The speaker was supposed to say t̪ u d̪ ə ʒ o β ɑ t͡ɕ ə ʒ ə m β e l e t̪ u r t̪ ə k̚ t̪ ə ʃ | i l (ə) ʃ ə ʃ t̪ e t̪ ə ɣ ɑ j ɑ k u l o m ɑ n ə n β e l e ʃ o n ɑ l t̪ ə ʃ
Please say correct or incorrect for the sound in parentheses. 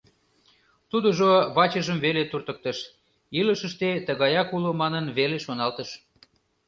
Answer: correct